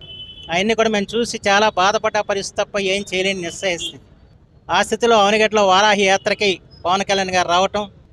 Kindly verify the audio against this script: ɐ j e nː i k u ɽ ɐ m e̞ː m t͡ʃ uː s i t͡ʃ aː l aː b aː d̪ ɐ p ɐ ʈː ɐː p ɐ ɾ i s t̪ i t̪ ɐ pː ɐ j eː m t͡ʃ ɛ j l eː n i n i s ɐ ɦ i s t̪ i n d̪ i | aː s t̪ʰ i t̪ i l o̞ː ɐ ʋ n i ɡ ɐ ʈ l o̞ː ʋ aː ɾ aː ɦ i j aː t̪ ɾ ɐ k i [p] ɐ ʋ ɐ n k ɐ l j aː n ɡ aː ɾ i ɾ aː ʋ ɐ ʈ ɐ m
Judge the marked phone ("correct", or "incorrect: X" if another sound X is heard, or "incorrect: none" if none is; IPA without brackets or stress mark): correct